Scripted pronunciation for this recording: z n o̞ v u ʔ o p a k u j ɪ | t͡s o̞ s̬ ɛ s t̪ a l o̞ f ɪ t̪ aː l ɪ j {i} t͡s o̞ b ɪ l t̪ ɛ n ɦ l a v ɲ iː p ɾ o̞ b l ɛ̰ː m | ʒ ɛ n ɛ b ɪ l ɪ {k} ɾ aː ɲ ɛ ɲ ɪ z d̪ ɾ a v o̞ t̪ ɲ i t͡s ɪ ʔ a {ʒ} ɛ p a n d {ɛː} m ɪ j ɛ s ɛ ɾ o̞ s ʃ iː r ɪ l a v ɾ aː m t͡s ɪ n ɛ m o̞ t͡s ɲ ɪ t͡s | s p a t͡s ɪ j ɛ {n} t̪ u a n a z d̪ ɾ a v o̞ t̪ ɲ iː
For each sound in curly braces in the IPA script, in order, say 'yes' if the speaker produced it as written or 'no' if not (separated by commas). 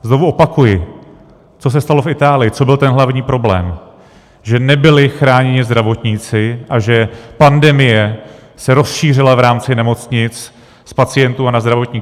no, no, yes, no, yes